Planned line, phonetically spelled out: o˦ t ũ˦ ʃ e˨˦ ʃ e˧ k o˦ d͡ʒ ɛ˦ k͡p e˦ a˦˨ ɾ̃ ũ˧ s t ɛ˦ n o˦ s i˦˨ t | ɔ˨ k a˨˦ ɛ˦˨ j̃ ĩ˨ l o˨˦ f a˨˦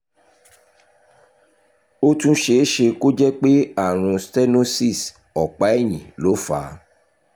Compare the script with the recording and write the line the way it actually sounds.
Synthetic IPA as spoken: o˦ t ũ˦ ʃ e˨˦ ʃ e˧ k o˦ d͡ʒ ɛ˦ k͡p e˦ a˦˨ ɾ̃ ũ˧ s t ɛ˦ n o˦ s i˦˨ s | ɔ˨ k͡p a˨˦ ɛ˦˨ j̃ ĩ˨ l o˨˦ f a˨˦